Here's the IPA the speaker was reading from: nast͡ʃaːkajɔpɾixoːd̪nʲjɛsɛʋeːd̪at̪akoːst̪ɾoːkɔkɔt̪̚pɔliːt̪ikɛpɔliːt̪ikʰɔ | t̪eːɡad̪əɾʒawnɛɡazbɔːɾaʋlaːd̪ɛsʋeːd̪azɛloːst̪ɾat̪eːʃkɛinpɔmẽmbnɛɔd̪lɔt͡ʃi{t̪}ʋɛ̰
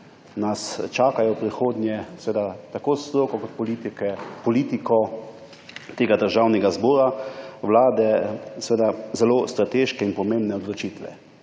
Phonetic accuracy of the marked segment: correct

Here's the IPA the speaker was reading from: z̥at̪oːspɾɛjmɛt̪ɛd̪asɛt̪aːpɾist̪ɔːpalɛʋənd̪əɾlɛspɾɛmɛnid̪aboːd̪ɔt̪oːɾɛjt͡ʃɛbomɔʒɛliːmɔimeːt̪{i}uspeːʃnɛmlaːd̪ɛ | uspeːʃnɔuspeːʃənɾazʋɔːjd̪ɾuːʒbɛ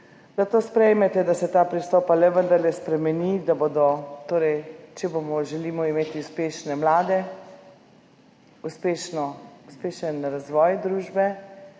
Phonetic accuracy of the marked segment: correct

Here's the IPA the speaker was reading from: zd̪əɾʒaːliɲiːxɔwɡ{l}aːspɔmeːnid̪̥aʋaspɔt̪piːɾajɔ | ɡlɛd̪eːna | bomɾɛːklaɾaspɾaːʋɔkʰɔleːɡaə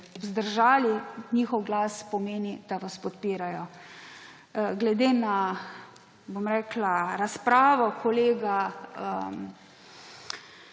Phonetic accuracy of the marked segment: correct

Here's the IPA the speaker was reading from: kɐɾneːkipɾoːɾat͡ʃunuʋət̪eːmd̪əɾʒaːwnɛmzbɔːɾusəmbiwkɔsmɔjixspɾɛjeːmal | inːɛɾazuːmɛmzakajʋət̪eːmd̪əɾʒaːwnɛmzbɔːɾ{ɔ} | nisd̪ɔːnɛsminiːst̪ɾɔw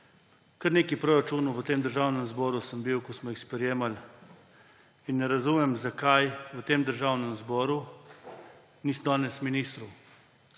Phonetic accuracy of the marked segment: incorrect: u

